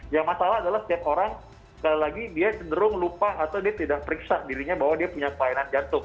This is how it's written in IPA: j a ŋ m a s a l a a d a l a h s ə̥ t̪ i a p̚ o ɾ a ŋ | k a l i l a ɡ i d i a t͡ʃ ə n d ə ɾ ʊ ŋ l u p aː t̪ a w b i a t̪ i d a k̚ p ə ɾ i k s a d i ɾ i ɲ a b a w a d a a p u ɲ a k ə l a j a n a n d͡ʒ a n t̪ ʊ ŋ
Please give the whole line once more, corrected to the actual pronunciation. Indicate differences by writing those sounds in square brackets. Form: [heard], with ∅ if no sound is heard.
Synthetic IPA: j a ŋ m a s a l a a d a l a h s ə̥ t̪ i a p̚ o ɾ a ŋ | k a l i l a ɡ i d i a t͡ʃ ə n d ə ɾ ʊ ŋ l u p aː t̪ a w [d] i a t̪ i d a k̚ p ə ɾ i k s a d i ɾ i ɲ a b a w a d [i] a p u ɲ a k ə l a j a n a n d͡ʒ a n t̪ ʊ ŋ